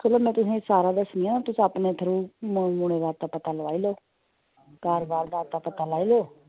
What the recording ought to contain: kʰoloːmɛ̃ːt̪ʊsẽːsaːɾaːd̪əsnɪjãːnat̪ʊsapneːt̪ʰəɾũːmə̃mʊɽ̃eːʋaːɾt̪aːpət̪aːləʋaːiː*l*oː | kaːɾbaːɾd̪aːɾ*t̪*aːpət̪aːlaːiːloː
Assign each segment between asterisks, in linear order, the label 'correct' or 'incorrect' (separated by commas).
correct, correct